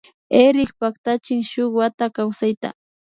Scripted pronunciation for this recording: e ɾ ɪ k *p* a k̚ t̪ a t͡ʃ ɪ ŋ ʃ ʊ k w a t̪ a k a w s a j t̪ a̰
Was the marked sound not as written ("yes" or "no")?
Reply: no